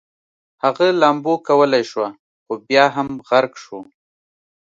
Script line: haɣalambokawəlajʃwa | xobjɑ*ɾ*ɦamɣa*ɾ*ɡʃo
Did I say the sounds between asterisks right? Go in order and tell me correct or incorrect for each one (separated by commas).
incorrect, correct